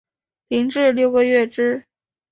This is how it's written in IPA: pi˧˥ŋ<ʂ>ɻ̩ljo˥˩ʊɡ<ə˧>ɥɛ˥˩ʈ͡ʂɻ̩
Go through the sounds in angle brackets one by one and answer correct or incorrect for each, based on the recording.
incorrect, correct

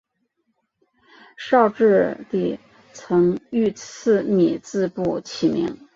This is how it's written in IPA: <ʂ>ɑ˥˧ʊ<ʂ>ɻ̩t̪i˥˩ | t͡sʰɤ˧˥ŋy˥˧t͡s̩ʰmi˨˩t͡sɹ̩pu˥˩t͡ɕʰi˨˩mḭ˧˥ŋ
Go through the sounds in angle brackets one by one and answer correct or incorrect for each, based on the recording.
correct, incorrect

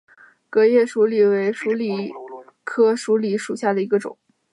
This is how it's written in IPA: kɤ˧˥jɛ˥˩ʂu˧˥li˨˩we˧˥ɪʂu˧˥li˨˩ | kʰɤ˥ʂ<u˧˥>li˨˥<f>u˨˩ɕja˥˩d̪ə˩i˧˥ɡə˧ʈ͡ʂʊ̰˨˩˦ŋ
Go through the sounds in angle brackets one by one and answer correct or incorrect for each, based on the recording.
correct, incorrect

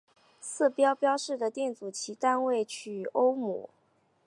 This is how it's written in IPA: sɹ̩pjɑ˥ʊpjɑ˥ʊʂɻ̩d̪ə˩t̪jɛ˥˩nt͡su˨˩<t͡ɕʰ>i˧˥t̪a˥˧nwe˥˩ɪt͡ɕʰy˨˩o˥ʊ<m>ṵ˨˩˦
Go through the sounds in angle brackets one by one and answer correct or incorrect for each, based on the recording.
correct, correct

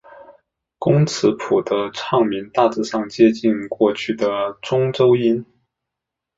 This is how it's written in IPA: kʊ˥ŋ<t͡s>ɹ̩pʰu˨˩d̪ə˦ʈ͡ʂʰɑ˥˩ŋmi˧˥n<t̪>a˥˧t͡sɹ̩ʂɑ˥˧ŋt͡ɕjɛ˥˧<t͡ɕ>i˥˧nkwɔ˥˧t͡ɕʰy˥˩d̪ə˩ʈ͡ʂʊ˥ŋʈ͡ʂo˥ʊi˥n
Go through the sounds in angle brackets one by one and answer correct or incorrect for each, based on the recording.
incorrect, correct, correct

